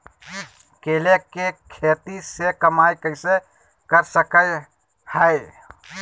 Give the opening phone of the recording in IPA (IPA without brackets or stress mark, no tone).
k